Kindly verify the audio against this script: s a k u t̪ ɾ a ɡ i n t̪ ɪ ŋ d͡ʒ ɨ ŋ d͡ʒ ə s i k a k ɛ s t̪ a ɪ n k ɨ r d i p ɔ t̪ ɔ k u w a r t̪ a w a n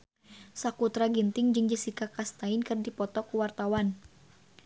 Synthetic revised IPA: s a k u t̪ ɾ a ɡ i n t̪ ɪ ŋ d͡ʒ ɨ ŋ d͡ʒ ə s i k a k a s t̪ a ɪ n k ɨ r d i p ɔ t̪ ɔ k u w a r t̪ a w a n